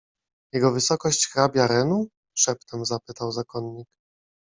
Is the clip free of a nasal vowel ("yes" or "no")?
yes